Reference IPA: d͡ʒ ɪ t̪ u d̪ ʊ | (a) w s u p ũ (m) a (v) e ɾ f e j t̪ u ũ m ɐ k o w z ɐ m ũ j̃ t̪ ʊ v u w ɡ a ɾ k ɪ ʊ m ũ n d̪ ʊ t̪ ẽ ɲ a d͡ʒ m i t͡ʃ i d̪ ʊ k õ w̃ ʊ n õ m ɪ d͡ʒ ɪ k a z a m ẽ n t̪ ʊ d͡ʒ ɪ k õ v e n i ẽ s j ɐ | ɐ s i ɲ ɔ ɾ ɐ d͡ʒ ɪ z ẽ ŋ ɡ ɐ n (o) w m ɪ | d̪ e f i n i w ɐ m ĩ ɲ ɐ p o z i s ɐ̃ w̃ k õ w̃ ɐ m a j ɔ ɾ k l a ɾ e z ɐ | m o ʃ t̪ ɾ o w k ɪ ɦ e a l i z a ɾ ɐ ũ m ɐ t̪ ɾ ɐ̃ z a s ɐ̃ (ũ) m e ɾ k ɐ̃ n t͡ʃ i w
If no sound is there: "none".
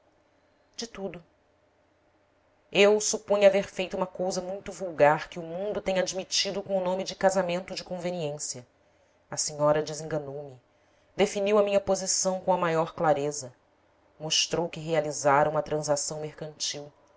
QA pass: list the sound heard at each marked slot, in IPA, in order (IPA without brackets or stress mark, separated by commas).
e, ɲ, v, o, w̃